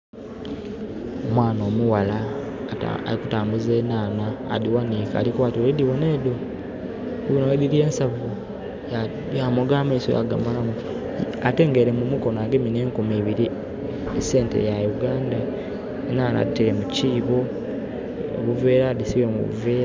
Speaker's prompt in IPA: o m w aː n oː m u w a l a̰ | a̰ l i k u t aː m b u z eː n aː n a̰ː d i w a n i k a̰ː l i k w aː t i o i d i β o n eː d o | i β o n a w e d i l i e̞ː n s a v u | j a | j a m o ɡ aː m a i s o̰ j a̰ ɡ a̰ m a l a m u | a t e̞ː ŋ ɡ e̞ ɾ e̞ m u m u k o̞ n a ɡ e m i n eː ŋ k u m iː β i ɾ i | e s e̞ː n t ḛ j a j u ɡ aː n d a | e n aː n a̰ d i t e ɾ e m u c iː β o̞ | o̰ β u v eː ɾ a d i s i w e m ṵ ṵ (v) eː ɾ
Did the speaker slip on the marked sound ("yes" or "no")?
no